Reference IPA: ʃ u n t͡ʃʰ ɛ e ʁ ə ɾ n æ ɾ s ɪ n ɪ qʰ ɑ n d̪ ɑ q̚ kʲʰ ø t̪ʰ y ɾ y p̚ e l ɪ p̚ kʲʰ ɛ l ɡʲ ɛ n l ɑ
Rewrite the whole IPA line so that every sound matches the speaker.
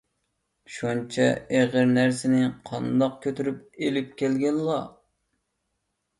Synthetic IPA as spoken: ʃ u n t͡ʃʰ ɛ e ʁ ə ɾ n æ ɾ s ɪ n ɪ qʰ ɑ n d̪ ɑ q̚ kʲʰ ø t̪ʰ y ɾ y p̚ e l ɪ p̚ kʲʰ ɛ l ɡʲ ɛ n l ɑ